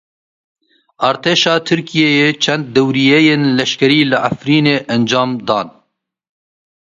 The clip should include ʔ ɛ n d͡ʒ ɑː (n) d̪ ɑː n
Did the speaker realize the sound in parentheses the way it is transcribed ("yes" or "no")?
no